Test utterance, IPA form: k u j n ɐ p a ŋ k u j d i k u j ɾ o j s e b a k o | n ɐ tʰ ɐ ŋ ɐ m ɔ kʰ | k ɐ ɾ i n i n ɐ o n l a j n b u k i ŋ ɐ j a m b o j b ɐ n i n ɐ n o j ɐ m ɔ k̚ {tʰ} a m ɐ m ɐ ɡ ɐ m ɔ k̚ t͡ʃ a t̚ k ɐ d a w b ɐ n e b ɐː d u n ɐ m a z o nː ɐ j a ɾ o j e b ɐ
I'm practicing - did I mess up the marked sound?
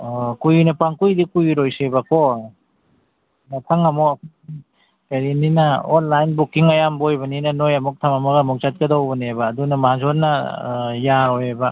no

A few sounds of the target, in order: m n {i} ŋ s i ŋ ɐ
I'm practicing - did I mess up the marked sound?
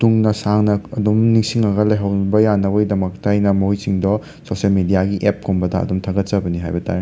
no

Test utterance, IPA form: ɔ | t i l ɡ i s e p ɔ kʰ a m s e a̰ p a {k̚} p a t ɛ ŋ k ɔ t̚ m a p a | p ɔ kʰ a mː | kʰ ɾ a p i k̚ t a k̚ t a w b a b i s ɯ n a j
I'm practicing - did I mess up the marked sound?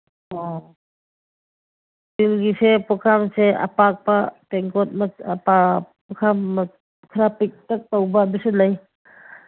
no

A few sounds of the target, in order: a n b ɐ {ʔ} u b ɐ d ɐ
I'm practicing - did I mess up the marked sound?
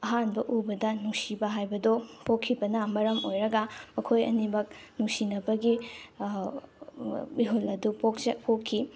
no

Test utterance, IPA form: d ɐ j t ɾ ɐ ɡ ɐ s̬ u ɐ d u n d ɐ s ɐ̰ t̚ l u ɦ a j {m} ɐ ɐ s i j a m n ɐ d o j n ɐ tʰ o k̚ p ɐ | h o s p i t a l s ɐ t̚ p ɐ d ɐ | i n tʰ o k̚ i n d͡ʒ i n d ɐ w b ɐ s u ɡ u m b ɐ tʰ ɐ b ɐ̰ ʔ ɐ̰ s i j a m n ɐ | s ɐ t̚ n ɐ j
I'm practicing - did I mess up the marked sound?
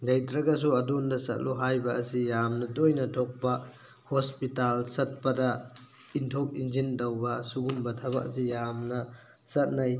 yes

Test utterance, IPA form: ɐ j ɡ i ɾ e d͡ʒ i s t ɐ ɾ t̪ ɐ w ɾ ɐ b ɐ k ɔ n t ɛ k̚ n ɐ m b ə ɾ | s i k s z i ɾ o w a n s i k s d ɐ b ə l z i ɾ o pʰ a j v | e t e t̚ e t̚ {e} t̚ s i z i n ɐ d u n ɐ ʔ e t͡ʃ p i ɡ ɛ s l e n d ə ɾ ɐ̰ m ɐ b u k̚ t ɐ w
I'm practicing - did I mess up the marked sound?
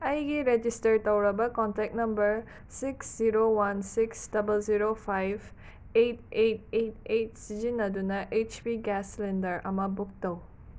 no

